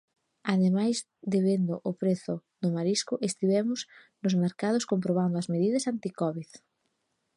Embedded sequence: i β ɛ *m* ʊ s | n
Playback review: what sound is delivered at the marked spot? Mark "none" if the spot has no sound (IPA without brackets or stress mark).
m